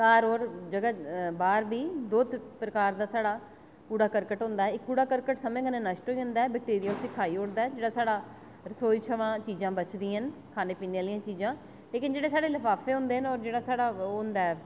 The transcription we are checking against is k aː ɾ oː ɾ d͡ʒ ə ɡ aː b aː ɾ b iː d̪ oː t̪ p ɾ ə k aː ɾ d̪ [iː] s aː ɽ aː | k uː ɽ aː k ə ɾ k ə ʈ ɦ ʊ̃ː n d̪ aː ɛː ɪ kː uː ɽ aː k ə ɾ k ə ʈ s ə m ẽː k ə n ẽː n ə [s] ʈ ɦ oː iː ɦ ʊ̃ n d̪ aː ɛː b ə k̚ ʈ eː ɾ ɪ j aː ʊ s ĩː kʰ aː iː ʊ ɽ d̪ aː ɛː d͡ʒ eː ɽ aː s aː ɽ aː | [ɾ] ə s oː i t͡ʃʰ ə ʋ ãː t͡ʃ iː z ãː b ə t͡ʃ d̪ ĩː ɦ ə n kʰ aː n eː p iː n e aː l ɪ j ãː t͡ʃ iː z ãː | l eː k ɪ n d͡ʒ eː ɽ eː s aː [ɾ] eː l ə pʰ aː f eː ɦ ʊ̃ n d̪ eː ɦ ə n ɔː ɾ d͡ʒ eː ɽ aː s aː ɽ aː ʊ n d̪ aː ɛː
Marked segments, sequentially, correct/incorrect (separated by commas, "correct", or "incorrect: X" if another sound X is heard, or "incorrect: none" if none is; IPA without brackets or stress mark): incorrect: aː, incorrect: ʃ, correct, incorrect: ɽ